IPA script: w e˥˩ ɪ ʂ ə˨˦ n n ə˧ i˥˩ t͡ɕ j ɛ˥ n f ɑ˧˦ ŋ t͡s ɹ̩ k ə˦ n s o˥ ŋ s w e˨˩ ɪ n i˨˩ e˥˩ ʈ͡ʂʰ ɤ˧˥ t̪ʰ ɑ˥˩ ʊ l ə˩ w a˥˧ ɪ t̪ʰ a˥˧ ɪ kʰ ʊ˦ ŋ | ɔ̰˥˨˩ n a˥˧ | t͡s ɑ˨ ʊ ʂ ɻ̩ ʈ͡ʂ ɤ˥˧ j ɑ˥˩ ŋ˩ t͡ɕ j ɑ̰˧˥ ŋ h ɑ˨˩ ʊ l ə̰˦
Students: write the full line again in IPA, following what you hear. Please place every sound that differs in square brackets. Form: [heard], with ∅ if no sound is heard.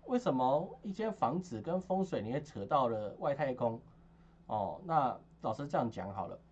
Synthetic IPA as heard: w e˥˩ ɪ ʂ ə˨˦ n [m] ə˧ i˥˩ t͡ɕ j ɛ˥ n f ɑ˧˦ ŋ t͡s ɹ̩ k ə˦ n [f] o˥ ŋ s w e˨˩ ɪ n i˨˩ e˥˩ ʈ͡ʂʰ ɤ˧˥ [t̪] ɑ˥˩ ʊ l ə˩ w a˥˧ ɪ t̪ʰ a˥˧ ɪ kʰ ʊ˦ ŋ | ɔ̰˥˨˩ n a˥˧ | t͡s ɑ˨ ʊ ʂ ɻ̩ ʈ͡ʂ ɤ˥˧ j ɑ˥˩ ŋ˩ t͡ɕ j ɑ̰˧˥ ŋ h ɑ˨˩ ʊ l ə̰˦

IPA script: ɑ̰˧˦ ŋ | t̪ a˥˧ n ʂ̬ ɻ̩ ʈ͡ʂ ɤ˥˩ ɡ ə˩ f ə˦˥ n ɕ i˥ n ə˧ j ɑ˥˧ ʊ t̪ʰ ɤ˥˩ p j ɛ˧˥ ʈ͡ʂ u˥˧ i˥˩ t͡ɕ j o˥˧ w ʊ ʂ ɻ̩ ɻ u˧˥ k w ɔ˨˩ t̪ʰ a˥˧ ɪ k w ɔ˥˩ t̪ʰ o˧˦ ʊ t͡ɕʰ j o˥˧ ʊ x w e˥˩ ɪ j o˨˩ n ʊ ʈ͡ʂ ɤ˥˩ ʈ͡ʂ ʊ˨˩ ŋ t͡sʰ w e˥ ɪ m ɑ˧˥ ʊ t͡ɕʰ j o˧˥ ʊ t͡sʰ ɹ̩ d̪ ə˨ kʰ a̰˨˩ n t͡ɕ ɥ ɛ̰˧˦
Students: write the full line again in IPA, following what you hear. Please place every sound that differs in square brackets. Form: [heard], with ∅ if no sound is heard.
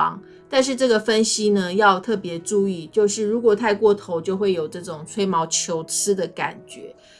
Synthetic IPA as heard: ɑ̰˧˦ ŋ | t̪ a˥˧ n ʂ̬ ɻ̩ ʈ͡ʂ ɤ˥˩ ɡ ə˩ f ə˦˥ n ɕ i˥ n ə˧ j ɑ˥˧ ʊ t̪ʰ ɤ˥˩ p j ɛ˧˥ ʈ͡ʂ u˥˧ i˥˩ t͡ɕ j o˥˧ [∅] ʊ ʂ ɻ̩ ɻ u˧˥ k w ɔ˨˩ t̪ʰ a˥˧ ɪ k w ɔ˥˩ t̪ʰ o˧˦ ʊ [t͡ɕ] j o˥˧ ʊ x w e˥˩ ɪ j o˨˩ [∅] ʊ ʈ͡ʂ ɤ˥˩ ʈ͡ʂ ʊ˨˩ ŋ t͡sʰ w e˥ ɪ m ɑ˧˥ ʊ t͡ɕʰ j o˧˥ ʊ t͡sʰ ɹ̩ d̪ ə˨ [k] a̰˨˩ n t͡ɕ ɥ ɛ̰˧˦

